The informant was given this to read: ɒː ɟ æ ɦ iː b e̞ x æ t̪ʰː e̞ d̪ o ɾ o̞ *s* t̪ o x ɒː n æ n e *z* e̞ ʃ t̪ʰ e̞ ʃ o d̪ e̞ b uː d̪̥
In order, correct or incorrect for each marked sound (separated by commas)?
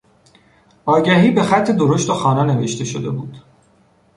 incorrect, incorrect